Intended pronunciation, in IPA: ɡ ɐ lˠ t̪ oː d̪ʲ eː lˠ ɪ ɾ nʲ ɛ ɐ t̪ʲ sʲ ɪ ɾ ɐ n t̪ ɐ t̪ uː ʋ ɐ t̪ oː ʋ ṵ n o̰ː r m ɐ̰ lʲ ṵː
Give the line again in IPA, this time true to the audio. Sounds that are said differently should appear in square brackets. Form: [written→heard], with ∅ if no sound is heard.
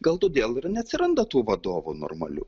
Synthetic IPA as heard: ɡ ɐ lˠ t̪ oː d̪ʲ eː lˠ ɪ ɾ nʲ ɛ ɐ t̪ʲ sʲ ɪ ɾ ɐ n [t̪→d̪] ɐ t̪ uː ʋ ɐ [t̪→d̪] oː ʋ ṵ n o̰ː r m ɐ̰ lʲ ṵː